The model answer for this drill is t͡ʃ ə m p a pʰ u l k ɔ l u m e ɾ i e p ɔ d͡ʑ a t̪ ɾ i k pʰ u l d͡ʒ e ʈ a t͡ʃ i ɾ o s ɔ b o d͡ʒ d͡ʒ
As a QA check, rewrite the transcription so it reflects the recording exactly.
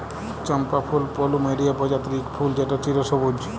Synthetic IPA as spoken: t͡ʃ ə m p a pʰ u l p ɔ l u m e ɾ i a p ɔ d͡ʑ a t̪ ɾ i k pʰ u l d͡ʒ e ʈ a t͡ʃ i ɾ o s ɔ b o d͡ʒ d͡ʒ